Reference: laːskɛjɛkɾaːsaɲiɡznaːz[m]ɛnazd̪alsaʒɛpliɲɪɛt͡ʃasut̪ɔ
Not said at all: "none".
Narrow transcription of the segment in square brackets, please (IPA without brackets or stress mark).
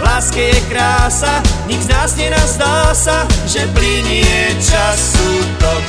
ɲ